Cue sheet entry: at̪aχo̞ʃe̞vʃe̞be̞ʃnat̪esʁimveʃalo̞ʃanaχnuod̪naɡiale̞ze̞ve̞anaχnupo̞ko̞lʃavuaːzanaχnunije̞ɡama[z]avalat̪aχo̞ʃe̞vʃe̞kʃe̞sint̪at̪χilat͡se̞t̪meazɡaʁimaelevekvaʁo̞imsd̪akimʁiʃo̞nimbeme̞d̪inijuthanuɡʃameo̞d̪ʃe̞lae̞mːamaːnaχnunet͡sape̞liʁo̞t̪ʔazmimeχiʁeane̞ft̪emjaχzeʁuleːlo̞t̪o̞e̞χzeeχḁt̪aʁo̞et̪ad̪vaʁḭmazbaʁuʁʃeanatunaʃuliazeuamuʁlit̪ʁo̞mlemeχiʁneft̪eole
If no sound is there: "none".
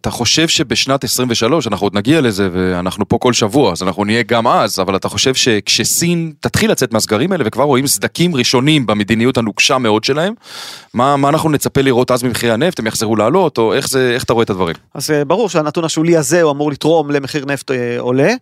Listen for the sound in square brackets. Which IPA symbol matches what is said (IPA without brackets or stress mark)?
z